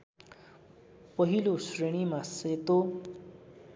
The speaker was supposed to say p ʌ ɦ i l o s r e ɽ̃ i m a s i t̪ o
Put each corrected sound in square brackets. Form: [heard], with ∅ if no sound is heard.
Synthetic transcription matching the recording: p ʌ ɦ i l o s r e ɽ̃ i m a s [e] t̪ o